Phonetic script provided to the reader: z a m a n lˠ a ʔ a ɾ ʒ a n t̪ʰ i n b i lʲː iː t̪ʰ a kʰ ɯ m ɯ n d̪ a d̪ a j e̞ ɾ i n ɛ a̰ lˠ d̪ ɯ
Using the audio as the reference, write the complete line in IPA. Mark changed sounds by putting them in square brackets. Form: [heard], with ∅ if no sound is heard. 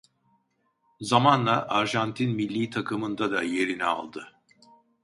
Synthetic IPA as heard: z a m a n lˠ a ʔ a ɾ ʒ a n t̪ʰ i n [m] i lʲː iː t̪ʰ a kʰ ɯ m ɯ n d̪ a d̪ a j e̞ ɾ i n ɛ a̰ lˠ d̪ ɯ